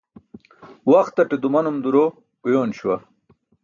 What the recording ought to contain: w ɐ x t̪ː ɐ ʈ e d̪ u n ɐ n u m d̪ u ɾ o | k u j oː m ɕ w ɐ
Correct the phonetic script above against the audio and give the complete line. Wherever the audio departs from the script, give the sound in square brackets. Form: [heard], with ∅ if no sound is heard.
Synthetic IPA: w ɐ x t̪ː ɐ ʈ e d̪ u [m] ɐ n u m d̪ u ɾ o | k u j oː [n] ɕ w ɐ